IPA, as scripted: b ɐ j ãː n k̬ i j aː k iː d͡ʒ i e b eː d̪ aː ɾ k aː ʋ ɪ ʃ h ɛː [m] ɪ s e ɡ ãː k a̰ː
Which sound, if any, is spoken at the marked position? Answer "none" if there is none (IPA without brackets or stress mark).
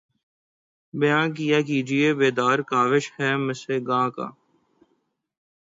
m